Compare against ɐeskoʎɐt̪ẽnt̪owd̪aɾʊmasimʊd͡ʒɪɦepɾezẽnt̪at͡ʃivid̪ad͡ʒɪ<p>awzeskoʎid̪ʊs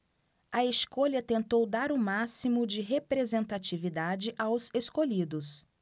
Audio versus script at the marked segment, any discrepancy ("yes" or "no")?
yes